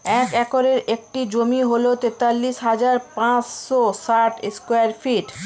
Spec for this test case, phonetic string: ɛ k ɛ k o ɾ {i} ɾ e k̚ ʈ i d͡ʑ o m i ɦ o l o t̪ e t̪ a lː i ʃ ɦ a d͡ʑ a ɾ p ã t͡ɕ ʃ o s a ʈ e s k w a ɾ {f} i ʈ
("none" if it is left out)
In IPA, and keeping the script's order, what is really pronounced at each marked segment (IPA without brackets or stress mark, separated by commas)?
e, f